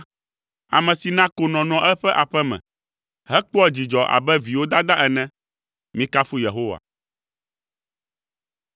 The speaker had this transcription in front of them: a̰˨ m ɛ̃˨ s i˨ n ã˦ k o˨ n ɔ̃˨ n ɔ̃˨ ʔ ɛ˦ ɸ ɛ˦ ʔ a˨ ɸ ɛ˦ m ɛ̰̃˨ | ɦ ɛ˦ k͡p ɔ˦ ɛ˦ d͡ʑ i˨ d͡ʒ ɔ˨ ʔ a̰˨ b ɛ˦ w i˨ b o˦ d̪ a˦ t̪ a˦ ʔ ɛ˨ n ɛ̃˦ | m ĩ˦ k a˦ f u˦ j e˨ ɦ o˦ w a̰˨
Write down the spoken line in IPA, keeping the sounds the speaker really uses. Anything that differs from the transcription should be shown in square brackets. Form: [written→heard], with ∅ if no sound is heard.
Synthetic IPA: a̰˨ m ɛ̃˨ s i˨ n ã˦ k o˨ n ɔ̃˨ n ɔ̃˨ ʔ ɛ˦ ɸ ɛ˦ ʔ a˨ ɸ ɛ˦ m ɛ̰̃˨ | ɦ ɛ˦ k͡p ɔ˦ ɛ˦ d͡ʑ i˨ d͡ʒ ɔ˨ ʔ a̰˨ b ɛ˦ [w→v] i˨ [b→w] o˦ d̪ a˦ [t̪→d̪] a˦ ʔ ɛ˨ n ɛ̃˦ | m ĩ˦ k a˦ f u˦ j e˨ ɦ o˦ w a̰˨